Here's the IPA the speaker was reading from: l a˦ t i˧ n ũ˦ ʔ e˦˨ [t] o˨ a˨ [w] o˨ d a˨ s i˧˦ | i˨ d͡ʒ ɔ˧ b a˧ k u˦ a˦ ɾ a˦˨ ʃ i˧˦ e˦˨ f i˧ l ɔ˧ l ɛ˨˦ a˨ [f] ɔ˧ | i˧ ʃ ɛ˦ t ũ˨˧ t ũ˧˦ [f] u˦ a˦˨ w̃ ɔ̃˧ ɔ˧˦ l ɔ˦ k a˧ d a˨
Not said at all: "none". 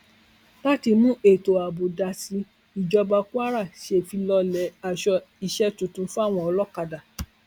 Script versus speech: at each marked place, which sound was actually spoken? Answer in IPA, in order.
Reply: t, b, ʃ, f

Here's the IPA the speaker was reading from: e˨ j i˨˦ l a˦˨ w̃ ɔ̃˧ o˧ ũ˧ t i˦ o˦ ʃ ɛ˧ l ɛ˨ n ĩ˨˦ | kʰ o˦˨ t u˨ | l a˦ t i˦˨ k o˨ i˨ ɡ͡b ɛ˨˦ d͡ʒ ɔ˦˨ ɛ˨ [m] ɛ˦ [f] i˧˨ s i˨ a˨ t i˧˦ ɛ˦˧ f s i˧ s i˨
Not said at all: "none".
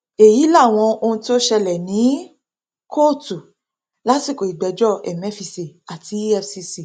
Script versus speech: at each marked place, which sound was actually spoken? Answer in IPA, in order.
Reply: m, f

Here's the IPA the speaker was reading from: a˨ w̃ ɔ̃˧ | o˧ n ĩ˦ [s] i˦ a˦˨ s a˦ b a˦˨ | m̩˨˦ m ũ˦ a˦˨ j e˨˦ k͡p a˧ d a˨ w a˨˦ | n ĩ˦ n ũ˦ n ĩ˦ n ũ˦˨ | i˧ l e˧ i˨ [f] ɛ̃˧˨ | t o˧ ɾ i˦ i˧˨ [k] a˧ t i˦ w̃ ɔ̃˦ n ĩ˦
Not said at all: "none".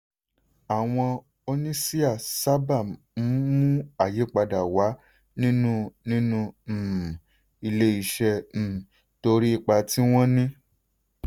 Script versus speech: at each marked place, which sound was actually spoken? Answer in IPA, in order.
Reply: s, ʃ, k͡p

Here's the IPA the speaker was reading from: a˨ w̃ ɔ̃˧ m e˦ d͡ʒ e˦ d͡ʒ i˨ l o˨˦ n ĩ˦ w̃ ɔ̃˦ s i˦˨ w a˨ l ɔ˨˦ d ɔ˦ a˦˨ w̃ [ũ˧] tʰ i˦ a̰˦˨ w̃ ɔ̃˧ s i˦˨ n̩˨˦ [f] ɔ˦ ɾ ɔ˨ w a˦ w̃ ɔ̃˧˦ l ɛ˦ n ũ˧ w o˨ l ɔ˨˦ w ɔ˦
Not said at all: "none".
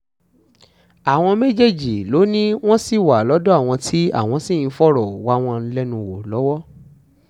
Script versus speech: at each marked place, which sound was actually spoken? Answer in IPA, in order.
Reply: ɔ̃˧, f

